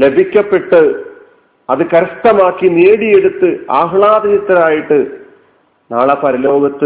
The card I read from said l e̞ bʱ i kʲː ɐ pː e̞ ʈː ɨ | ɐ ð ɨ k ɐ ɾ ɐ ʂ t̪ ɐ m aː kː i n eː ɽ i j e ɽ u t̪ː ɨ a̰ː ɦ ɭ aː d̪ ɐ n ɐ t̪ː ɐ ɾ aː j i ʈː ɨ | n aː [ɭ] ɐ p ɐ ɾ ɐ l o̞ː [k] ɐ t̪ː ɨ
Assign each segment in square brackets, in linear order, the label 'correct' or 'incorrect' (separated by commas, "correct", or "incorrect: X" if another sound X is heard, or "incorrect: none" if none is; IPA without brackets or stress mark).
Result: correct, incorrect: ɡ